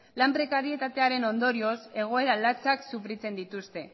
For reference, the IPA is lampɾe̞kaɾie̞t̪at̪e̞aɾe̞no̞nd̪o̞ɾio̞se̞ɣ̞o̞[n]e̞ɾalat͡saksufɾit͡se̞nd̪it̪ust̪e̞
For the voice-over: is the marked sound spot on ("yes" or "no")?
no